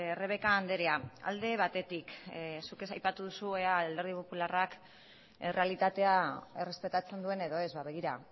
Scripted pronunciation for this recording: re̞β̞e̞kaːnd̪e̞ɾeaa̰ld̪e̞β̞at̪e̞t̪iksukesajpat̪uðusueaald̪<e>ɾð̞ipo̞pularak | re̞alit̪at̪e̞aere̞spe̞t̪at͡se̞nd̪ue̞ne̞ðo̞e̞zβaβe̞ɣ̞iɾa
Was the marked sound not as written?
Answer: no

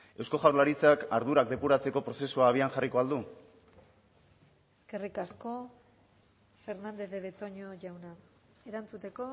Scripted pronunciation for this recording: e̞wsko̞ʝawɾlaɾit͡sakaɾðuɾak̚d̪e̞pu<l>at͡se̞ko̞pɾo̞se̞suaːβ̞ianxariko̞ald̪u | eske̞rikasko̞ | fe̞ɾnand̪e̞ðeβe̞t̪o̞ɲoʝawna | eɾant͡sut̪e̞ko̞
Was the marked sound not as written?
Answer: yes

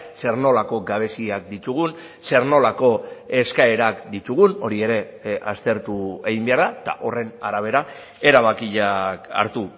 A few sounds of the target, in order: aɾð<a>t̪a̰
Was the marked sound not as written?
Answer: no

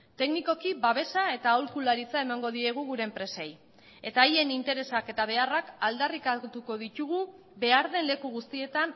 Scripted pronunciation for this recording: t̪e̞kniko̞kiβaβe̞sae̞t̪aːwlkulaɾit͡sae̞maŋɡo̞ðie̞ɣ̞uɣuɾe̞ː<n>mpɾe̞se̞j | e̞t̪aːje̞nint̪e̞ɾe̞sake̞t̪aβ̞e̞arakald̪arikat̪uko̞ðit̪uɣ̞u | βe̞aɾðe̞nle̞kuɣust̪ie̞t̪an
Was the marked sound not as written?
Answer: yes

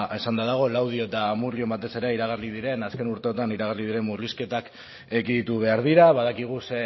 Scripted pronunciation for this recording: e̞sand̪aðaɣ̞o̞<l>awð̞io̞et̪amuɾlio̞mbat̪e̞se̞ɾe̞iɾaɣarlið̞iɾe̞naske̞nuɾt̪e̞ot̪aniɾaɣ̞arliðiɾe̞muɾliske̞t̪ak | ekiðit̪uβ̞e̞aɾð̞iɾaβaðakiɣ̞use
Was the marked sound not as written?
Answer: no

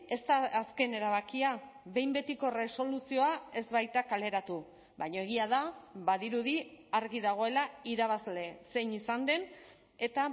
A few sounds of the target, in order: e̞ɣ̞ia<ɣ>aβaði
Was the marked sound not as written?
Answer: yes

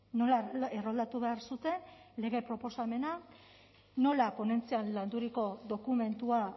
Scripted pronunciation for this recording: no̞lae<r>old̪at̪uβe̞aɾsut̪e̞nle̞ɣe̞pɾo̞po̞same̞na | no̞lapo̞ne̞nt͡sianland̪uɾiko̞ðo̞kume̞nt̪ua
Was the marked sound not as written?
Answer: no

